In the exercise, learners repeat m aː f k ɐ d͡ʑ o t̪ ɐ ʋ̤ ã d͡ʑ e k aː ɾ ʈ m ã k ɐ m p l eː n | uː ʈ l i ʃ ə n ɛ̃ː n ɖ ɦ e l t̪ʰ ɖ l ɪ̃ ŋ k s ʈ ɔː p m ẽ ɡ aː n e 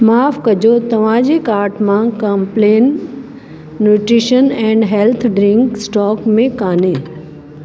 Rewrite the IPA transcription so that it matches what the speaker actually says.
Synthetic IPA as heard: m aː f k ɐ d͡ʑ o t̪ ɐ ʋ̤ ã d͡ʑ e k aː ɾ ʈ m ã k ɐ m p l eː n | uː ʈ ɾ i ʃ ə n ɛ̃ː ɳ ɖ ɦ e l t̪ʰ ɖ ɾ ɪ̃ ŋ k s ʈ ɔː k m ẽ k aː n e